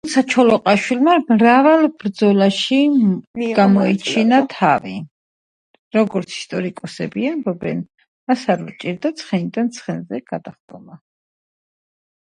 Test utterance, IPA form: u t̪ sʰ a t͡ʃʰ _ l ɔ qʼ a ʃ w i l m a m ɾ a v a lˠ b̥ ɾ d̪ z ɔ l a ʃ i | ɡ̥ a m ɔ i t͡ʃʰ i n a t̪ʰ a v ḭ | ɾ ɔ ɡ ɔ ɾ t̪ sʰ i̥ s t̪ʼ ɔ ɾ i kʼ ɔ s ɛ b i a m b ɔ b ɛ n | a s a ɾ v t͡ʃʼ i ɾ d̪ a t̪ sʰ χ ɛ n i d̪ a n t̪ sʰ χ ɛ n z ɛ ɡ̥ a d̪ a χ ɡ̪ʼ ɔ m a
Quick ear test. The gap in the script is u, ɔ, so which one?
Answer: ɔ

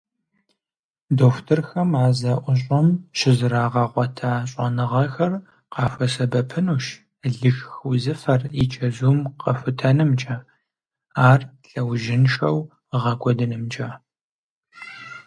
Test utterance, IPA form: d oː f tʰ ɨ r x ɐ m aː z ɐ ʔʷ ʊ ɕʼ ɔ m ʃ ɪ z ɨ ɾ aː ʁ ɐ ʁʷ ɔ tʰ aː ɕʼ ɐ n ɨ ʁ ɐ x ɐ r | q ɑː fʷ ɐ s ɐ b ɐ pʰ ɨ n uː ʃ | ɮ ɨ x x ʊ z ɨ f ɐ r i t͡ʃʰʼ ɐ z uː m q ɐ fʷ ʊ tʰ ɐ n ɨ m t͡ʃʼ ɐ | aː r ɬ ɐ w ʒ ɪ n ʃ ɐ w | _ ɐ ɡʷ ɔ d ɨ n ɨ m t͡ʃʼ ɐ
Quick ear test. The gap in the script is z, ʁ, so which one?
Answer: ʁ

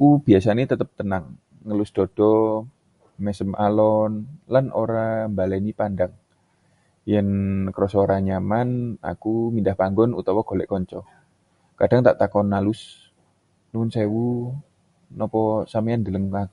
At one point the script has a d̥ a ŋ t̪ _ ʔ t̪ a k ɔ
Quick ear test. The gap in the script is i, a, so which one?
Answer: a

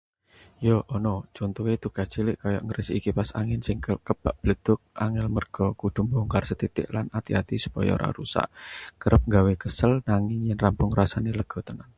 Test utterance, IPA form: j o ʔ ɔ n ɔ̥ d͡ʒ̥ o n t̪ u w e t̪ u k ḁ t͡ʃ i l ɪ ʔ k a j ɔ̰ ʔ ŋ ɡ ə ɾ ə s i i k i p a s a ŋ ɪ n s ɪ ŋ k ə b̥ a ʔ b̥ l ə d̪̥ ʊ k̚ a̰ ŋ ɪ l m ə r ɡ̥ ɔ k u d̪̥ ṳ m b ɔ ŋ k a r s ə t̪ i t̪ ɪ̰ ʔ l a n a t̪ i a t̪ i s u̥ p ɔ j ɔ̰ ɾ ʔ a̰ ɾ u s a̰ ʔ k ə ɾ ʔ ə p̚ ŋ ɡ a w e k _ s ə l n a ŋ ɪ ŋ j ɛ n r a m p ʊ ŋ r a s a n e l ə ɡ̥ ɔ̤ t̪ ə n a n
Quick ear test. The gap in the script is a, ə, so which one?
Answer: ə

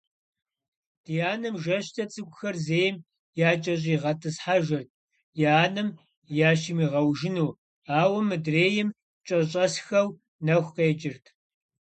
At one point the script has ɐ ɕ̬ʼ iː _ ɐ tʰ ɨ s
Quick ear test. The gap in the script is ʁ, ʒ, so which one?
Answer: ʁ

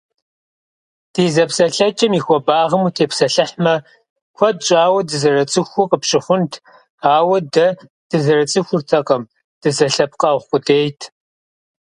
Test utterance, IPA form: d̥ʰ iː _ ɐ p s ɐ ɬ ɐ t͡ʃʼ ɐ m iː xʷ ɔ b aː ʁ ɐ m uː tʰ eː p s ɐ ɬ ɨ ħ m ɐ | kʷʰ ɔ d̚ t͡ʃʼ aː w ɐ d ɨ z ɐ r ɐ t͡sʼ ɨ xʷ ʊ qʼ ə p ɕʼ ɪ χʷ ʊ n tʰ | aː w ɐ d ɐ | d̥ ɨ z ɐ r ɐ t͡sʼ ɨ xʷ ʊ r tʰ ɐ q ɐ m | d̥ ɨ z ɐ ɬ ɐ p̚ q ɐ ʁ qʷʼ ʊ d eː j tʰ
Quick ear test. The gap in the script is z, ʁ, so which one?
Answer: z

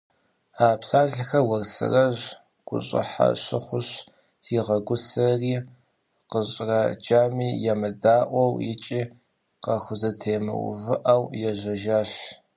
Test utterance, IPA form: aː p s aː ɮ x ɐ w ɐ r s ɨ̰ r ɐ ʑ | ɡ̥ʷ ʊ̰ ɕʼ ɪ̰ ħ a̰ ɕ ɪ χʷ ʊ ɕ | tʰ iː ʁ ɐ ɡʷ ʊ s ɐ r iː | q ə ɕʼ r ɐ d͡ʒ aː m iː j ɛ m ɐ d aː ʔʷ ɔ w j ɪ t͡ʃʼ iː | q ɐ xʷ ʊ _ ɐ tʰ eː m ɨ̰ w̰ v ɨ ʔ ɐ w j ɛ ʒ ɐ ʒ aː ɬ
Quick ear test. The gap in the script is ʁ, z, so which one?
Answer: z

